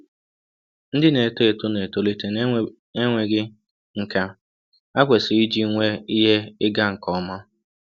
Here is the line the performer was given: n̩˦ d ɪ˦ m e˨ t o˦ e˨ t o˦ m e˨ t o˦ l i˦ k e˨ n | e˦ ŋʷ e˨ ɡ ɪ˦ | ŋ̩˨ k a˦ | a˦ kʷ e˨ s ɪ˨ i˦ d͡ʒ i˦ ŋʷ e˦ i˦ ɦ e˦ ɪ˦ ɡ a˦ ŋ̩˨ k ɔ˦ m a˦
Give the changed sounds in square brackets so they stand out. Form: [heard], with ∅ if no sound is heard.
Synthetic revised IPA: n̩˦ d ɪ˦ [n] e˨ t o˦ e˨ t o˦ [n] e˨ t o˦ l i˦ [t] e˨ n | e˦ ŋʷ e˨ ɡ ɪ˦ | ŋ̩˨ k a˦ | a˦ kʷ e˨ s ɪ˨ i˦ d͡ʒ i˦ ŋʷ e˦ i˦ ɦ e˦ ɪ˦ ɡ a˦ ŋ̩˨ k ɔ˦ m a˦